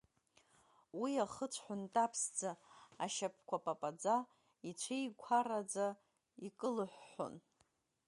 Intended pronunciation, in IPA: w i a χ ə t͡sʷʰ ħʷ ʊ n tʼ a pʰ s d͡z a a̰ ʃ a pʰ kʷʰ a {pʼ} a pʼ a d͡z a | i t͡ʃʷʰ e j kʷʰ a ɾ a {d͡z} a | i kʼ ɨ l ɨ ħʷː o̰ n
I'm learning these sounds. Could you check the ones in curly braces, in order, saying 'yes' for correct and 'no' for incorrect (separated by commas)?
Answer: yes, yes